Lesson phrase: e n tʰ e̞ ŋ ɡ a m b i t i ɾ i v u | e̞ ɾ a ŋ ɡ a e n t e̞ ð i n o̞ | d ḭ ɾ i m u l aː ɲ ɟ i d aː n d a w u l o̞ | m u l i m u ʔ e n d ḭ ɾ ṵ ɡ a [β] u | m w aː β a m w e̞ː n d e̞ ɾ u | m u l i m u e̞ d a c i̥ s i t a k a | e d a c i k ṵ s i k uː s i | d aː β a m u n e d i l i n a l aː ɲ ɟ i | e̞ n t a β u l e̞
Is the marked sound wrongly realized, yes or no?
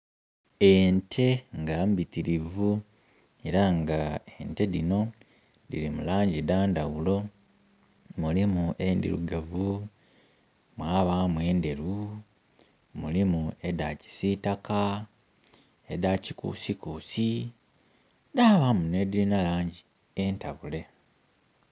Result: yes